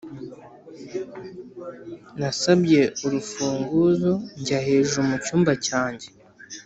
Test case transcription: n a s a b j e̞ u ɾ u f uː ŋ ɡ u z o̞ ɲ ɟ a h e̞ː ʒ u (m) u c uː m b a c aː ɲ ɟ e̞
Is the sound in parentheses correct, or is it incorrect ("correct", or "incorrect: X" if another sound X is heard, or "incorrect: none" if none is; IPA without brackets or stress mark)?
correct